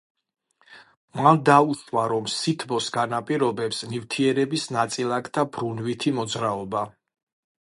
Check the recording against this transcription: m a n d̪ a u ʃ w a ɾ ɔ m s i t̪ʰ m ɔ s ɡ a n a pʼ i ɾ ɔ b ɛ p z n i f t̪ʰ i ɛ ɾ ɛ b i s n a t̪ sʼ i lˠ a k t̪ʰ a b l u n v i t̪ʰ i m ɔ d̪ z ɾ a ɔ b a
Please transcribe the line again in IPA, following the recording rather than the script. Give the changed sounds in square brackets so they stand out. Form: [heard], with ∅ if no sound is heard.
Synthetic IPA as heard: m a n d̪ a u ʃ w a ɾ ɔ m s i t̪ʰ [b] ɔ s ɡ a n a pʼ i ɾ ɔ b ɛ p [s] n i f t̪ʰ i ɛ ɾ ɛ b i s n a t̪ sʼ i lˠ a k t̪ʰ a b [ɾ] u n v i t̪ʰ i m ɔ d̪ z ɾ a ɔ b a